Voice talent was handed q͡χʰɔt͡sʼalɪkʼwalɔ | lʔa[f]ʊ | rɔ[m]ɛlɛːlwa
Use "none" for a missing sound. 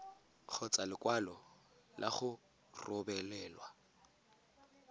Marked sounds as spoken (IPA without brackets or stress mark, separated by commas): χ, b